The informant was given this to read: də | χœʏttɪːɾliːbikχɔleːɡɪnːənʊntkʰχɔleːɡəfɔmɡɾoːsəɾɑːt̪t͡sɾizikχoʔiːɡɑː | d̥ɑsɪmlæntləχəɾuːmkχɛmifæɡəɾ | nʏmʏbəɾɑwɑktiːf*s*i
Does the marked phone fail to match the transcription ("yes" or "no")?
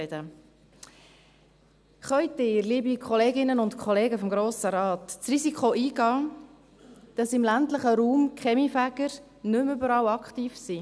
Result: no